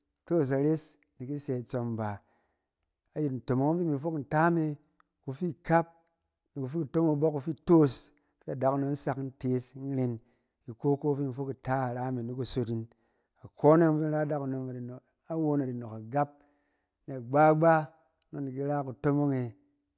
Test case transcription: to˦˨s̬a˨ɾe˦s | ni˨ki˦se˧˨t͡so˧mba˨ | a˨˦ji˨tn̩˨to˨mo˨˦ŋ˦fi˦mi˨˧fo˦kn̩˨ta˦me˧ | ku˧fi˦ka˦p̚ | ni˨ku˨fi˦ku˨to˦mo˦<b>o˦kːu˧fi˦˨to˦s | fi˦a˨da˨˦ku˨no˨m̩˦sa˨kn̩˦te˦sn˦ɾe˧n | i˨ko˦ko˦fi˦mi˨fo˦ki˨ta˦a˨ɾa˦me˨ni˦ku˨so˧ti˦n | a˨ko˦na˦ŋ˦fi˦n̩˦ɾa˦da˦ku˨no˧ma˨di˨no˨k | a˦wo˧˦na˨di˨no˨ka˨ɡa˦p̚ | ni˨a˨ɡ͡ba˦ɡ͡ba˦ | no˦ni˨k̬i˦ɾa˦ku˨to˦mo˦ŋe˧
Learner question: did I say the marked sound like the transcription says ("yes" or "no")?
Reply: yes